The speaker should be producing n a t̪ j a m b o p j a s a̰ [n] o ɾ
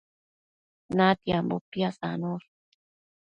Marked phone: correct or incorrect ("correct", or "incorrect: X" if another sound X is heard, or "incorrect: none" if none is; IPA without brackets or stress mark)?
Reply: correct